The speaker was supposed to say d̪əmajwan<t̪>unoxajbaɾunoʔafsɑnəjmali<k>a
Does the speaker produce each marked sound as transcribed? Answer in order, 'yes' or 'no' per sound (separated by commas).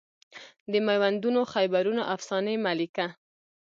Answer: no, yes